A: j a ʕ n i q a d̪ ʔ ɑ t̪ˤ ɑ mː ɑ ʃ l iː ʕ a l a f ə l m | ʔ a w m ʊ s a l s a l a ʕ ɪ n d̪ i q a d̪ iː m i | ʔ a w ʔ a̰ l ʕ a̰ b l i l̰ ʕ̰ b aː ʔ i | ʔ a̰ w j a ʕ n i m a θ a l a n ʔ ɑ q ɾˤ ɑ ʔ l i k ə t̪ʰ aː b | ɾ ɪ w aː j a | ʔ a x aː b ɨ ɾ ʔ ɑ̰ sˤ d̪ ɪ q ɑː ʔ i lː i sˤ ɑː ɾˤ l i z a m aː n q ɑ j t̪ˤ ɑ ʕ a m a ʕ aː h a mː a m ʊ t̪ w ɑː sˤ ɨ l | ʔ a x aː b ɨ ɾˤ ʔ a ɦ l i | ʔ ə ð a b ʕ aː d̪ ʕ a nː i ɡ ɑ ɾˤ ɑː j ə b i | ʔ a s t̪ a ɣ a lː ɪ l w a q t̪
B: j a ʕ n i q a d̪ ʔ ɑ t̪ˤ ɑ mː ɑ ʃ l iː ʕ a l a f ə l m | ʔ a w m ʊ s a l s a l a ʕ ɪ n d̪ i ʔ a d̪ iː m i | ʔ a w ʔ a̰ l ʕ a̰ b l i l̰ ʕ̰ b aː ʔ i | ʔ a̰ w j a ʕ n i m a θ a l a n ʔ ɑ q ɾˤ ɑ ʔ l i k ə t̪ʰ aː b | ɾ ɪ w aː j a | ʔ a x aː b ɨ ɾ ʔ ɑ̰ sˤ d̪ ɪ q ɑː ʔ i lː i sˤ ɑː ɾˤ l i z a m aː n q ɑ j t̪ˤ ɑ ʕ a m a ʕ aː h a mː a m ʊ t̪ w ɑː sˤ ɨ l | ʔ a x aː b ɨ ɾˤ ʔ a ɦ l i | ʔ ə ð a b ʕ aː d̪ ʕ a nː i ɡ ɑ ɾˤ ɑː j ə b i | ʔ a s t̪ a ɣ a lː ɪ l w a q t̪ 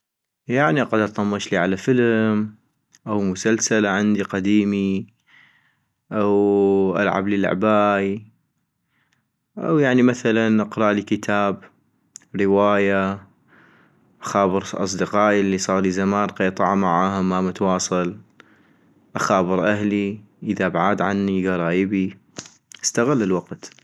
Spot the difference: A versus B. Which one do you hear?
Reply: A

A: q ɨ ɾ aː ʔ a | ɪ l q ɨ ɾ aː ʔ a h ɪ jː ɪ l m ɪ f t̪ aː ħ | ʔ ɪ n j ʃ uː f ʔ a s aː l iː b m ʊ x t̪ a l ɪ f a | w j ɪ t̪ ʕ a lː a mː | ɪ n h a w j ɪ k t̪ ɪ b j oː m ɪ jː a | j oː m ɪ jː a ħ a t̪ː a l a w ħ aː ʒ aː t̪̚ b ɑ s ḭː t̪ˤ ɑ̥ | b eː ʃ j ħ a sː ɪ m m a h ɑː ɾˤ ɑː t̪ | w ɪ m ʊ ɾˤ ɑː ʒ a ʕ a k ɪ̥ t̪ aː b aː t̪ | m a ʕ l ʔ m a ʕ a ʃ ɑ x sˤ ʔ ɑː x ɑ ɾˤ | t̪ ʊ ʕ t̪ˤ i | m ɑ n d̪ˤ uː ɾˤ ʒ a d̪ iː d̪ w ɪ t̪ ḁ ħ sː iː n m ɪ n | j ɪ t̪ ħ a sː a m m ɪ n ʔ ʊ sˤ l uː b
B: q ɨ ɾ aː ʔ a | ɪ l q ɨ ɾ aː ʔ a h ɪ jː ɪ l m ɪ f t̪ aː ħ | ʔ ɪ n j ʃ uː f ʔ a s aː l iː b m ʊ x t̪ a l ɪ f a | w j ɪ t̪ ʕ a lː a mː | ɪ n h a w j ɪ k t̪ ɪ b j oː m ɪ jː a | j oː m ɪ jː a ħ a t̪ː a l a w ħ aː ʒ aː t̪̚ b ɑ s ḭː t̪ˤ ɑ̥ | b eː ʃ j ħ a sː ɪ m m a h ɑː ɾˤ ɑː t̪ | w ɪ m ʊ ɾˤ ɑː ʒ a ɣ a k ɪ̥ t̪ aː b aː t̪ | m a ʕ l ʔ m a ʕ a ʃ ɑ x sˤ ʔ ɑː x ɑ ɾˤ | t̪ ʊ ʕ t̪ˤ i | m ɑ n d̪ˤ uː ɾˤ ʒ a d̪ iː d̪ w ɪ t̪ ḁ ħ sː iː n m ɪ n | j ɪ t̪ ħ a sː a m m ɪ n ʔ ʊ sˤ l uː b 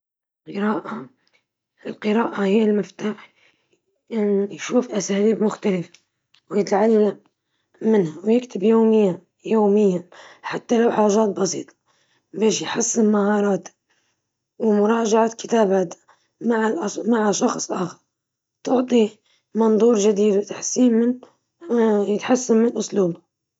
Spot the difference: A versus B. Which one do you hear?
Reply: A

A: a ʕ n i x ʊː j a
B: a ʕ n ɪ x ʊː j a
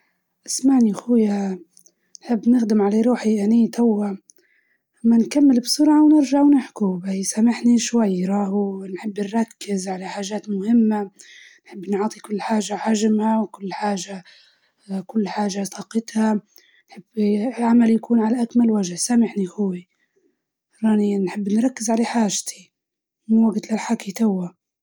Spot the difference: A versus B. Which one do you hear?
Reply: A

